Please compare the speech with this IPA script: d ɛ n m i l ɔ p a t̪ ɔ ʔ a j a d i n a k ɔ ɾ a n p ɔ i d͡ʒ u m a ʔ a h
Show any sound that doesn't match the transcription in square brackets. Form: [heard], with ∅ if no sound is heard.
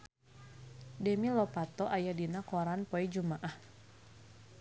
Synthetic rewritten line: d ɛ [∅] m i l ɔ p a t̪ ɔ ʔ a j a d i n a k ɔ ɾ a n p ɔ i d͡ʒ u m a ʔ a h